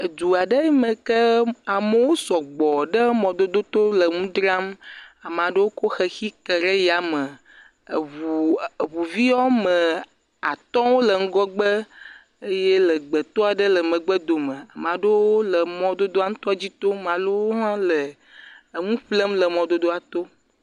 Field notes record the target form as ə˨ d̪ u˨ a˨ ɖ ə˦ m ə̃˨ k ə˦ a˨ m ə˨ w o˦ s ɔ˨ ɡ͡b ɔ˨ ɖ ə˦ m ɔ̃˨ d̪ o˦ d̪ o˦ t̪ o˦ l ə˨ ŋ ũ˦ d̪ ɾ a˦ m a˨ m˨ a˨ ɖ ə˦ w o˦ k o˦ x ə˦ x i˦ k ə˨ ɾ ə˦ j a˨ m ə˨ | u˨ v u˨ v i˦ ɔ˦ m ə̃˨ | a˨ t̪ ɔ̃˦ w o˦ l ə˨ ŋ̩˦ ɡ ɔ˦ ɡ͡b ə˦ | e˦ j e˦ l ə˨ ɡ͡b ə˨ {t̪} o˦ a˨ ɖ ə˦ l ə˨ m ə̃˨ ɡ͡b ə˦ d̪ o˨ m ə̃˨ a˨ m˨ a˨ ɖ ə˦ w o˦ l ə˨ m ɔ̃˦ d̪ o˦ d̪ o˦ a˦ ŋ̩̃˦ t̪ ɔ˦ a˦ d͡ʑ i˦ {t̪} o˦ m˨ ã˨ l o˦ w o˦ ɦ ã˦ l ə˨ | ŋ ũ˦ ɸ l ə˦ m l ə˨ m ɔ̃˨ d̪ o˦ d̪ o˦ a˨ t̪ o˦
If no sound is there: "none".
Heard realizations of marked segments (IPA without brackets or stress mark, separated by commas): t̪, t̪